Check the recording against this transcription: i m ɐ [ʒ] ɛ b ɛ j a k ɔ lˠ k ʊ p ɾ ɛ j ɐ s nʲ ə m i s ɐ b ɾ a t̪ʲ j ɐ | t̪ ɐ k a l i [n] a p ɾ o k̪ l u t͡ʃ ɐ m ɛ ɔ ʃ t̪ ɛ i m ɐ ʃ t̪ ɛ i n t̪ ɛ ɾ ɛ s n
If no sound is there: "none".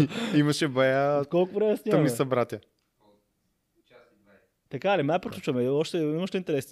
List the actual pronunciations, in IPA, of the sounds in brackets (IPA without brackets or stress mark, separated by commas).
ʃ, m